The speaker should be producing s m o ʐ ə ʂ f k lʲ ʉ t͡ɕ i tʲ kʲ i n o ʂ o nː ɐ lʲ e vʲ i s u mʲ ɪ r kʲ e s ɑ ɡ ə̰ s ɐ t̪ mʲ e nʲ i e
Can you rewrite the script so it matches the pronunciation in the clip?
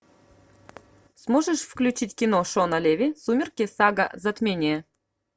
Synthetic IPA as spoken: s m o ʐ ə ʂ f k lʲ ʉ t͡ɕ i tʲ kʲ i n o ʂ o n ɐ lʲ e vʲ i s u mʲ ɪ r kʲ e s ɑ ɡ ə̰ z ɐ t̪ mʲ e nʲ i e